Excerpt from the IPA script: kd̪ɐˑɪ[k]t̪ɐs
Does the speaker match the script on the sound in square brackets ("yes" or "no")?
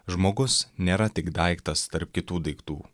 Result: yes